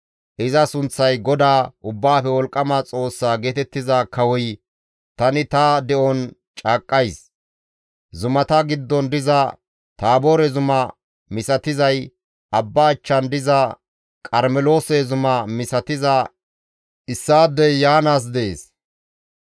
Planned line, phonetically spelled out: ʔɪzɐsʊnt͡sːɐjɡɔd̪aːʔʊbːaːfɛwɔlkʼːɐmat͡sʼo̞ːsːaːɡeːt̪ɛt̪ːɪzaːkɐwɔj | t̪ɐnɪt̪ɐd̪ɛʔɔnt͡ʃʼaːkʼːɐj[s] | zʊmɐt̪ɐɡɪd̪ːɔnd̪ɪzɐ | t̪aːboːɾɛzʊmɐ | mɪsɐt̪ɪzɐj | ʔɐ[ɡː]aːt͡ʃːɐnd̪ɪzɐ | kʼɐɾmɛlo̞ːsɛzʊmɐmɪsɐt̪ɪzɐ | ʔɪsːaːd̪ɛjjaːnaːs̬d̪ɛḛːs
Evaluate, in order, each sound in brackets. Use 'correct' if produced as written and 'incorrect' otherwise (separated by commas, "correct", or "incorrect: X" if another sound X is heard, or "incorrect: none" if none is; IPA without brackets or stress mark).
correct, incorrect: bː